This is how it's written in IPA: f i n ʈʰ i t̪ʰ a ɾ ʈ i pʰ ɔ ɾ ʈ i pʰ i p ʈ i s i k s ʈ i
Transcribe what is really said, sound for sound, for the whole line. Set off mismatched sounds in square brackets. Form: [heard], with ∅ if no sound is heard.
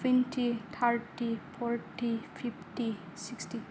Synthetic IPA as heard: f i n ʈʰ i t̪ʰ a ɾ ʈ i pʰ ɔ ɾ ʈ i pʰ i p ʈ i s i k s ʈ i